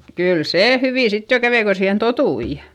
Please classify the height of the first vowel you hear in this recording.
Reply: high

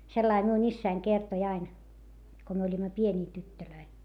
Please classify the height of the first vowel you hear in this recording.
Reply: mid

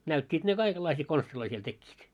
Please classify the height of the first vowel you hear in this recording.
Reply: low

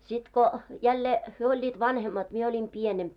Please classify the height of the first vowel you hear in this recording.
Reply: high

